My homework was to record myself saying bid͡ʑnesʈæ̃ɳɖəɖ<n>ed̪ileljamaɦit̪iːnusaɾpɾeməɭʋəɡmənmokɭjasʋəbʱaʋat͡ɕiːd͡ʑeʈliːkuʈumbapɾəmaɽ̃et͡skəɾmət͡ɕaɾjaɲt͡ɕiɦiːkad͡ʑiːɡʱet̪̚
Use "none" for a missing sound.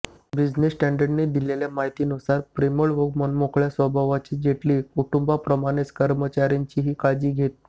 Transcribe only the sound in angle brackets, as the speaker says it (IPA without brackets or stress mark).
n